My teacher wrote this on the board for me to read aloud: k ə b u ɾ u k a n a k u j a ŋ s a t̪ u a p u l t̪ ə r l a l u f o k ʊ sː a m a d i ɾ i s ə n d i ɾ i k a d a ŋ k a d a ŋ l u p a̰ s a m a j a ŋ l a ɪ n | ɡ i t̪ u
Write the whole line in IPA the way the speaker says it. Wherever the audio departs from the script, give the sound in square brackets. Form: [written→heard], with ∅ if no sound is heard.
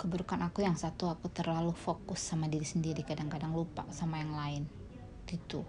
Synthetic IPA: k ə b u ɾ u k a n a k u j a ŋ s a t̪ u a [p→k] u [l→∅] t̪ ə r l a l u f o k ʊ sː a m a d i ɾ i s ə n d i ɾ i k a d a ŋ k a d a ŋ l u p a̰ s a m a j a ŋ l a ɪ n | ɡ i t̪ u